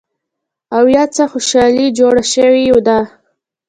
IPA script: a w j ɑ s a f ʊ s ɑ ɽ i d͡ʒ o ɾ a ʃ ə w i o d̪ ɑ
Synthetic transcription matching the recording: a w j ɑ t͡s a x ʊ ʃ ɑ l i d͡ʒ o ɽ a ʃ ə w i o d̪ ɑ